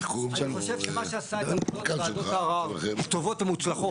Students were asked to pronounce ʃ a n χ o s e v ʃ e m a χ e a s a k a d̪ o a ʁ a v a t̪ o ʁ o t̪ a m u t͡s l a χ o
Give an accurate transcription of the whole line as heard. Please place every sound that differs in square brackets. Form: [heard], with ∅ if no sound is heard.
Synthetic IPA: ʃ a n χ o [ʃ] e v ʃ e m a [ʃ] e a s a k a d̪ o a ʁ a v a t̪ o [v] o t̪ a m u t͡s l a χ o